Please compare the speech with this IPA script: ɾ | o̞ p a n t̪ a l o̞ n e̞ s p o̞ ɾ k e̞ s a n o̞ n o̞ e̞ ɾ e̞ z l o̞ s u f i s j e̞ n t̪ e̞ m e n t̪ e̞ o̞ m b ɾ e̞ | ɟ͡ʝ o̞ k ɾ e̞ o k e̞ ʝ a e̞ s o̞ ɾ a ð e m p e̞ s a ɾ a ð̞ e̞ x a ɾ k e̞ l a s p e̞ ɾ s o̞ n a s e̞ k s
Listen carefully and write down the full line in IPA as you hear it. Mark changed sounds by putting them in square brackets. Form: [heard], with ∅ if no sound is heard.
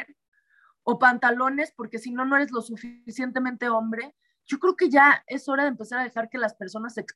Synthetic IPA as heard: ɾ | o̞ p a n t̪ a l o̞ n e̞ s p o̞ ɾ k e̞ s [i] n o̞ n o̞ e̞ ɾ e̞ z l o̞ s u f i s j e̞ n t̪ e̞ m [ẽ] n t̪ e̞ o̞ m b ɾ e̞ | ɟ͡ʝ o̞ k ɾ e̞ o k e̞ ʝ a e̞ s o̞ ɾ a ð e m p e̞ s a ɾ a ð̞ e̞ x a ɾ k e̞ l a s p e̞ ɾ s o̞ n a s e̞ k s